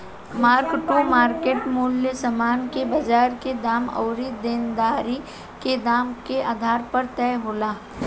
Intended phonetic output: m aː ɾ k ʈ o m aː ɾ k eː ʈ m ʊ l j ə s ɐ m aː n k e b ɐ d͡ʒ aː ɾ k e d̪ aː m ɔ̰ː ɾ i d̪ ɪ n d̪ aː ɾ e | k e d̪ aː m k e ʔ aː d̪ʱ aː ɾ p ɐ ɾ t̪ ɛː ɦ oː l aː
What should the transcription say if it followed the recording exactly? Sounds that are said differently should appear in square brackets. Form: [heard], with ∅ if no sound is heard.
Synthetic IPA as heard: m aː ɾ k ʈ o m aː ɾ k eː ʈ m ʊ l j ə s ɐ m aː n k e b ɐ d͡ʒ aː ɾ k e d̪ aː m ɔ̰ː ɾ i d̪ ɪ n d̪ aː ɾ [i] | k e d̪ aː m k e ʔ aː d̪ʱ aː ɾ p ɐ ɾ t̪ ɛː ɦ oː l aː